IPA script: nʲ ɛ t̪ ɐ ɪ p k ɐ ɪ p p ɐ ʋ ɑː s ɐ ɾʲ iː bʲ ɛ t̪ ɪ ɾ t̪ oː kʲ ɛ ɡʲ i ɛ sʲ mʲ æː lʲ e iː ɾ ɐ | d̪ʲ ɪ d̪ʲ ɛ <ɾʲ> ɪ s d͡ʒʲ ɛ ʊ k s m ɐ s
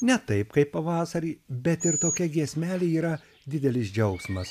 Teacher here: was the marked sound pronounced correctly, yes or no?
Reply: no